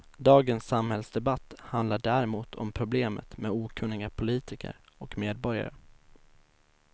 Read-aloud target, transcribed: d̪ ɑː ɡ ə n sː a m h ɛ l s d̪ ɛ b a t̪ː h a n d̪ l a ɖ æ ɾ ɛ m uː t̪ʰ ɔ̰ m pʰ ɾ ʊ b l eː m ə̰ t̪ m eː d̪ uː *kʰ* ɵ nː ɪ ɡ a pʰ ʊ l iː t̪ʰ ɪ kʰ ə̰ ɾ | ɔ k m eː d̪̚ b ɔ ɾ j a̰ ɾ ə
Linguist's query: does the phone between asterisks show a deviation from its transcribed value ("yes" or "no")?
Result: no